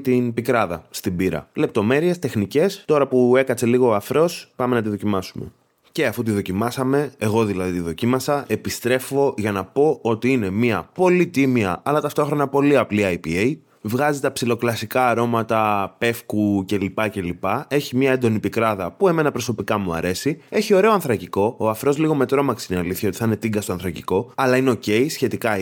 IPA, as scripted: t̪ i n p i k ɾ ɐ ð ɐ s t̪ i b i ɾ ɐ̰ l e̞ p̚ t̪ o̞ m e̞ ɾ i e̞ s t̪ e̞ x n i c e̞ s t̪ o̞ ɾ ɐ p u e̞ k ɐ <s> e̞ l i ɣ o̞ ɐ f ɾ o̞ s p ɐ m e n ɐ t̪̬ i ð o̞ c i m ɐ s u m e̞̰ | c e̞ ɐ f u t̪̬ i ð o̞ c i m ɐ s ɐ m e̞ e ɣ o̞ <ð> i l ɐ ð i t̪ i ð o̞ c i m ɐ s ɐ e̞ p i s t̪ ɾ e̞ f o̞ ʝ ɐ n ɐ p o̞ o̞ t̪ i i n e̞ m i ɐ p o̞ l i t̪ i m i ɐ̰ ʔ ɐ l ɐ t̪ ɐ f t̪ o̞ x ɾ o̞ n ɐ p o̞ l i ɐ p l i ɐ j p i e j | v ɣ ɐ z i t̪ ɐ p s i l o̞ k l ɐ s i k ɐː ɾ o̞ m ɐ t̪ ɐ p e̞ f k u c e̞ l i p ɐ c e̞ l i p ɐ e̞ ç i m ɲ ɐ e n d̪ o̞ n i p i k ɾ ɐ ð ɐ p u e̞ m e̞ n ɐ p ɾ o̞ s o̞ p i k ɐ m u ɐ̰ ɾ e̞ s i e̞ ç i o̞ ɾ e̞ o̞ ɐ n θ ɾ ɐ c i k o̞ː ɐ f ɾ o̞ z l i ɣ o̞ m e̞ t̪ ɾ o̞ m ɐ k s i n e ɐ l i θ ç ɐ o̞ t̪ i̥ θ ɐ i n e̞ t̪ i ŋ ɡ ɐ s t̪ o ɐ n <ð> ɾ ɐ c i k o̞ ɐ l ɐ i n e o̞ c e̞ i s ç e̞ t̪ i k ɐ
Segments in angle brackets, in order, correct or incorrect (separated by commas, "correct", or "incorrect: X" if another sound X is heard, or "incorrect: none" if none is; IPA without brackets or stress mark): incorrect: t͡s, correct, incorrect: θ